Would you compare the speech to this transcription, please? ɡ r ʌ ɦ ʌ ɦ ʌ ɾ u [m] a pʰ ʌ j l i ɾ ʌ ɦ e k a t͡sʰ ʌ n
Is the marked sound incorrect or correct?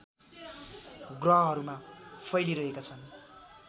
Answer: correct